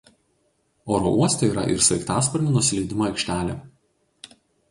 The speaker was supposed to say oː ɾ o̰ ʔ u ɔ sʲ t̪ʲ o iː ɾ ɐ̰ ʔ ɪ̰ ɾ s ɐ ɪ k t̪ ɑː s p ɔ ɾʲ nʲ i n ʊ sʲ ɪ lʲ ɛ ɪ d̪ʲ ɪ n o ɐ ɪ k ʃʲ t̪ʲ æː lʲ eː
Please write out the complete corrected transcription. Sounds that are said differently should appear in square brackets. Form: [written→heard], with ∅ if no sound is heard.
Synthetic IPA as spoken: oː ɾ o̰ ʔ u ɔ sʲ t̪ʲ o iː ɾ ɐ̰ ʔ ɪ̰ ɾ s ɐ ɪ k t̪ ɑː s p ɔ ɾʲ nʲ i n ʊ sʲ ɪ lʲ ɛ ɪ d̪ʲ ɪ [n→m] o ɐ ɪ k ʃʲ t̪ʲ æː lʲ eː